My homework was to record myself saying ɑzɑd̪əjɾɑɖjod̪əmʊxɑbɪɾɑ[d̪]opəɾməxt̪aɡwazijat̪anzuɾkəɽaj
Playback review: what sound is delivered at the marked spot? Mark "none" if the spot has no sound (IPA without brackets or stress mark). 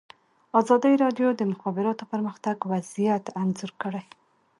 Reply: t̪